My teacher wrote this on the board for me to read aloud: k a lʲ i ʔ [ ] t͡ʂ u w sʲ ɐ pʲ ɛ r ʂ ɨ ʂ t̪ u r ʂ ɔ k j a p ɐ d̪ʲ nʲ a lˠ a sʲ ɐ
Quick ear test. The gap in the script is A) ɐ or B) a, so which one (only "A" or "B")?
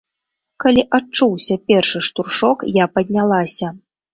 B